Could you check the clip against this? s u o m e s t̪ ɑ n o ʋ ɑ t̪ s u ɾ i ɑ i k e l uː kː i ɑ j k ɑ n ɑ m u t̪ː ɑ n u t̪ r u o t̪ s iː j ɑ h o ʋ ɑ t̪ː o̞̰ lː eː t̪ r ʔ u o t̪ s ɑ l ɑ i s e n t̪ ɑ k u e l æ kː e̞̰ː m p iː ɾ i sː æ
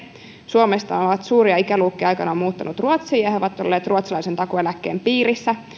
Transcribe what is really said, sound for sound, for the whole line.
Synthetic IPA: s u o m e s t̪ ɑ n o ʋ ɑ t̪ s uː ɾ i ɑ i k æ l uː kː i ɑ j k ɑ n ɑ m uː t̪ː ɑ n u t̪ r u o t̪ s iː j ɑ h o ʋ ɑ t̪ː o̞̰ lː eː t̪ r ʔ u o t̪ s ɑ l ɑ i s e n t̪ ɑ k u e l æ kː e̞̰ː m p iː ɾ i sː æ

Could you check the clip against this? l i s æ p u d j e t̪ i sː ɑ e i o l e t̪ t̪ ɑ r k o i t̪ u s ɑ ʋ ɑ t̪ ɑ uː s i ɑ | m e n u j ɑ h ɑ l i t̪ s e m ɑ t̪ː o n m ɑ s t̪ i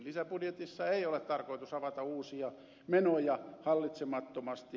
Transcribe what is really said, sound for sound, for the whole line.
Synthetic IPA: l i s æ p u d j e t̪ i sː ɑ e i o l e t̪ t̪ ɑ r k o i t̪ u s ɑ ʋ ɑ t̪ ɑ uː s i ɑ | m e n o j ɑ h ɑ lː i t̪ s e m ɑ t̪ː o m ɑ s t̪ i

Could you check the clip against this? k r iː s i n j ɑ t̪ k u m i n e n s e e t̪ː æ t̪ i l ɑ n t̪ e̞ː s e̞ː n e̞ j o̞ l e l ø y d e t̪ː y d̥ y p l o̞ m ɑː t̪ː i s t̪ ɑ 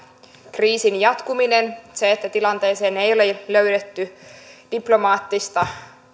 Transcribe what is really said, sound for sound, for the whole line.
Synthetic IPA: k r iː s i n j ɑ t̪ k u m i n e n s e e t̪ː æ t̪ i l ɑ n t̪ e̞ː s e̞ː n e̞ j o̞ l e l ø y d e t̪ː y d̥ i p l o̞ m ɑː t̪ː i s t̪ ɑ

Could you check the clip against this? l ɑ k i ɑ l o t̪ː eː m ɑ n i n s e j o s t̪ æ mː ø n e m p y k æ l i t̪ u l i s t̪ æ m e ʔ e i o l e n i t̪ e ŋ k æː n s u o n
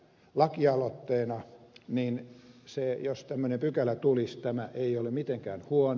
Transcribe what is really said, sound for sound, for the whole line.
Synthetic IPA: l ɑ k i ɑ l o t̪ː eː n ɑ n i n s e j o s t̪ æ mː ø n e m p y k æ l æ t̪ u l i s t̪ æ m æ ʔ e i o l e m i t̪ e ŋ k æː n h u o n

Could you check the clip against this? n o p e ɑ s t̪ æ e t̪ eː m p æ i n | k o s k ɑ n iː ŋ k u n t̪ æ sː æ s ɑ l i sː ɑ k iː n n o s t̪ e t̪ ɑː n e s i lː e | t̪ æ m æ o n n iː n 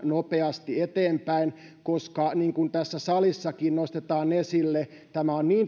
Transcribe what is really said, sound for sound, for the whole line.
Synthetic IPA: n o p e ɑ s t̪ i e t̪ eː m p æ i n | k o s k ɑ n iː ŋ k u n t̪ æ sː æ s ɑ l i sː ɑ k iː n n o s t̪ e t̪ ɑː n e s i lː e | t̪ æ m æ o n n iː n

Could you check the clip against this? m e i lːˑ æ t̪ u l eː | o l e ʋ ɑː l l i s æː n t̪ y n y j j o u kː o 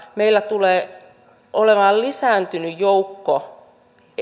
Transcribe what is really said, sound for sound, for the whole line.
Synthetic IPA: m e i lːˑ æ t̪ u l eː | o l e ʋ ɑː l l i s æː n t̪ y n y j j o u kː o

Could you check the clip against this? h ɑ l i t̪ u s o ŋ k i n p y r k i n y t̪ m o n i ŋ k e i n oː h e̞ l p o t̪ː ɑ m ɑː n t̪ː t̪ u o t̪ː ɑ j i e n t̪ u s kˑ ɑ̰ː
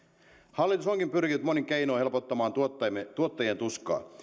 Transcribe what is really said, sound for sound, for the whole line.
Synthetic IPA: h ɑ lː i t̪ u s o ŋ k i m p y r k i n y t̪ m o n i ŋ k e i n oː h e̞ l p o t̪ː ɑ m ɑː n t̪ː t̪ u o t̪ː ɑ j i e n t̪ u s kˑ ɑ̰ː

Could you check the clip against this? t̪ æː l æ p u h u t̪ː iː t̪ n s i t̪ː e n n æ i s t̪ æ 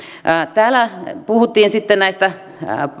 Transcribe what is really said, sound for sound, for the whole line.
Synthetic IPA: t̪ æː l æ p u h u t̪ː iː n s i t̪ː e n n æ i s t̪ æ

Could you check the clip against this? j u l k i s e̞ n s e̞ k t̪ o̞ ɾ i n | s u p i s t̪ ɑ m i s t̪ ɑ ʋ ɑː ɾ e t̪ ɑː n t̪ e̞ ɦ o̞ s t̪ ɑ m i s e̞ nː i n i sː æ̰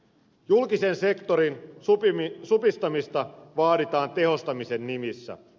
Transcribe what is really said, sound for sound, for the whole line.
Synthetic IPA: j u l k i s e̞ n s e̞ k t̪ o̞ ɾ i n | s u p i s t̪ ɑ m i s t̪ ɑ ʋ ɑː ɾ i t̪ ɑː n t̪ e̞ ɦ o̞ s t̪ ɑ m i s e̞ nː i m i sː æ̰

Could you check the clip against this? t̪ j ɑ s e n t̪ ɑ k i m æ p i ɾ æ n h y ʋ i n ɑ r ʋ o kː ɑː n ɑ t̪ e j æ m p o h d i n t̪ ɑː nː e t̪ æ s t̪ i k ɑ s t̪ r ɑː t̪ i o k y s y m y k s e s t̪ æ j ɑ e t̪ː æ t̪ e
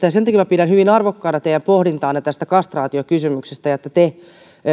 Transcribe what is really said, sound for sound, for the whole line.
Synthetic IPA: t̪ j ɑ s e n t̪ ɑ k i m æ p i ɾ æ n h y ʋ i n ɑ r ʋ o kː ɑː n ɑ t̪ e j æ m p o h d i n t̪ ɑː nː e t̪ æ s t̪ æ k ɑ s t̪ r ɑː t̪ i o k y s y m y k s e s t̪ æ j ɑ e t̪ː æ t̪ e

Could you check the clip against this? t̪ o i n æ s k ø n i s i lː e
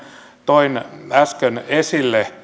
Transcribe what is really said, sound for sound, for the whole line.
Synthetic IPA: t̪ o i n æ s k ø n e s i lː e

